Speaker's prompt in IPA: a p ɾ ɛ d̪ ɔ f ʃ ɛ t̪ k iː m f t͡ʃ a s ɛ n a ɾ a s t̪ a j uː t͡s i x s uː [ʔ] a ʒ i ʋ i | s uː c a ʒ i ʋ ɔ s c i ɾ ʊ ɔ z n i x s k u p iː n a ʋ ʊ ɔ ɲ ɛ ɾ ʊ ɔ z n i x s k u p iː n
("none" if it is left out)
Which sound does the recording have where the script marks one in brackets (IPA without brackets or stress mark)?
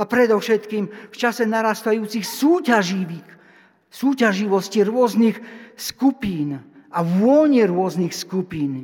c